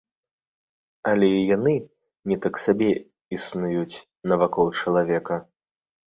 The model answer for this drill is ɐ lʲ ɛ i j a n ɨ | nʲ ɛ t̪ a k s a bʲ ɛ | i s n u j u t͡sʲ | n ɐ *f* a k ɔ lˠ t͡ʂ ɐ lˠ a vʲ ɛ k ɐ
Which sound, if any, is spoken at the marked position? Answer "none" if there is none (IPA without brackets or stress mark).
v